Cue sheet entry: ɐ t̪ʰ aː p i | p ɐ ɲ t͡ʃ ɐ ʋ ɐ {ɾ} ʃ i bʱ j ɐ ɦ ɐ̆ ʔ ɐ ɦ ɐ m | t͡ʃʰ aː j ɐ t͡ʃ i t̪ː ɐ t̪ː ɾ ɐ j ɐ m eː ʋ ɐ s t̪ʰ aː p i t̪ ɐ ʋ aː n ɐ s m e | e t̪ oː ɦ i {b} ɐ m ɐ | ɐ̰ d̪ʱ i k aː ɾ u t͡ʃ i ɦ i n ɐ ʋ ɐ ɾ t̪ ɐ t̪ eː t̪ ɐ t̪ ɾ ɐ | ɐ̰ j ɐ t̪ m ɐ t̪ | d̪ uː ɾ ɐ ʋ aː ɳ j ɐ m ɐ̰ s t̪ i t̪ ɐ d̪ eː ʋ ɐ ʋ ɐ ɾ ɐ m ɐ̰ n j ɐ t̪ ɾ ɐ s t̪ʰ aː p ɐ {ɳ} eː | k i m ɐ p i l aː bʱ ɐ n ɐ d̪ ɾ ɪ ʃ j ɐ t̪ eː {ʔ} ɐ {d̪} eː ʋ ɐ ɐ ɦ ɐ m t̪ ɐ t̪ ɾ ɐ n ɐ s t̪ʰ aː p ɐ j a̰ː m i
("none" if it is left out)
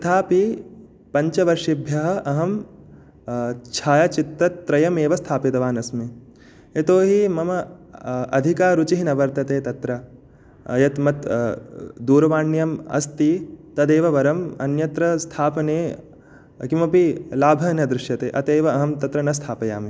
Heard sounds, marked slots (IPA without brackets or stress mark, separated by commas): ɾ, m, n, ʔ, t̪